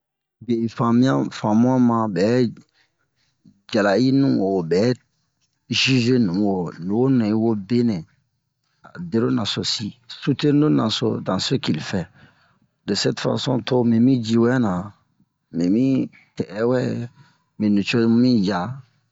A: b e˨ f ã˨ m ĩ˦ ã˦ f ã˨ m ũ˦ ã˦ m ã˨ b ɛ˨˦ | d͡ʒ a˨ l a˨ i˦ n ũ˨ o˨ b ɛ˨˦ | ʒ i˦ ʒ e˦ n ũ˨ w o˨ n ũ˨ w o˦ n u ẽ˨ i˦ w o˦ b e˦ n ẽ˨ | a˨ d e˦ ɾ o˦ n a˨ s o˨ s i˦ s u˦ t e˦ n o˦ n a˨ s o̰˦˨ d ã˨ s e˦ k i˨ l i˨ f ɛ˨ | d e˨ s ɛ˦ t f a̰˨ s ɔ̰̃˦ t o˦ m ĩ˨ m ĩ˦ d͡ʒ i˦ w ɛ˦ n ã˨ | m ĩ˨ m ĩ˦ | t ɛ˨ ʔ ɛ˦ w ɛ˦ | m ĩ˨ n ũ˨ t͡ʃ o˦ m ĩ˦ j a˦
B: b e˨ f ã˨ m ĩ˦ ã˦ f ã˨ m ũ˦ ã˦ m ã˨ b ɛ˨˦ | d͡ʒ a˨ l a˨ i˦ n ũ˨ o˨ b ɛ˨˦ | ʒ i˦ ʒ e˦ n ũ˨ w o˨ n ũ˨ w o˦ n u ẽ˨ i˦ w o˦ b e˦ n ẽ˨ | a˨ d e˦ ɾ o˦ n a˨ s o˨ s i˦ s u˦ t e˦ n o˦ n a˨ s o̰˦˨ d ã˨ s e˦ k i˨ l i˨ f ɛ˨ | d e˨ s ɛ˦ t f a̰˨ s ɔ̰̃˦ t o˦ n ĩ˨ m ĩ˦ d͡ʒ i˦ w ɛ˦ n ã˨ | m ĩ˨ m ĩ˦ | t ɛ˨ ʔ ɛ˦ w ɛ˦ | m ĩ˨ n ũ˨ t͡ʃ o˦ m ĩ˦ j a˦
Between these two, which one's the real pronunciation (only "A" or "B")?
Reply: A